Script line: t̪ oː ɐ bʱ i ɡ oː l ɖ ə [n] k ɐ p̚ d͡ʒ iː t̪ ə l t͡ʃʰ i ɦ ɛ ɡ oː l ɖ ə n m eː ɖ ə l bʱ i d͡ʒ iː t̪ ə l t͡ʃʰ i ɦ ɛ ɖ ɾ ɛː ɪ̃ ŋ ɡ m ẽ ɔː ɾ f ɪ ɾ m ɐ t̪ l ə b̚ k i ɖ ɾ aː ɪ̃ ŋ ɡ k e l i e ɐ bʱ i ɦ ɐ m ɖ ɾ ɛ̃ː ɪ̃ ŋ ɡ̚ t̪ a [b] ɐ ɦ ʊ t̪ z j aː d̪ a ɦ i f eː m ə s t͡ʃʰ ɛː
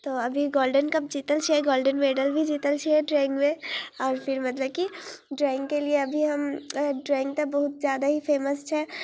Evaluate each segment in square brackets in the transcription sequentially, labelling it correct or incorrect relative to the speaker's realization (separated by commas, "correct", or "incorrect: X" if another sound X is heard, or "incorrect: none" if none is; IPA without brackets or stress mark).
correct, correct